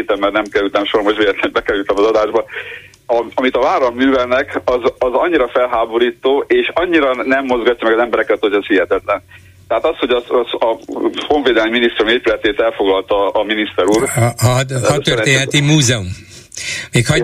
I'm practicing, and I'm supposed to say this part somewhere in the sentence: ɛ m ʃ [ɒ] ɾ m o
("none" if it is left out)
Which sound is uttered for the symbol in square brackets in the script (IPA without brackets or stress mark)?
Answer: o